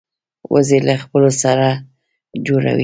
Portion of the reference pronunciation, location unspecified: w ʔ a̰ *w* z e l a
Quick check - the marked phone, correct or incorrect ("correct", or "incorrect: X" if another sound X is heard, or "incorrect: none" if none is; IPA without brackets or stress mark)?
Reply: incorrect: none